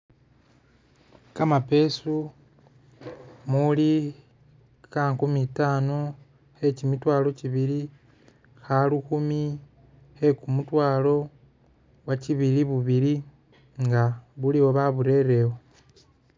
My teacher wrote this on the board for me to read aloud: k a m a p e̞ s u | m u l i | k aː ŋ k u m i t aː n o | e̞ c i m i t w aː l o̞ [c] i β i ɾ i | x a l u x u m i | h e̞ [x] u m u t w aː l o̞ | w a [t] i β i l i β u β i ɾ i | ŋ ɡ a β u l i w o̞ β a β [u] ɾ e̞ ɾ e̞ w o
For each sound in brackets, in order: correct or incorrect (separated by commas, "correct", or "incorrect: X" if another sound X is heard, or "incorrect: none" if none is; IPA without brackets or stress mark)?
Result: correct, incorrect: k, incorrect: c, correct